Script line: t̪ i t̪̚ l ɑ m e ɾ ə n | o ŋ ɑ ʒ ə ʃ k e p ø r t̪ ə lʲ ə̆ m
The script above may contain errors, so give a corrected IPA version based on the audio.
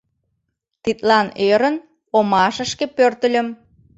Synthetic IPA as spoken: t̪ i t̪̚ l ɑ n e ɾ ə n | o m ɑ ʃ ə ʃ k e p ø r t̪ ə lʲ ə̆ m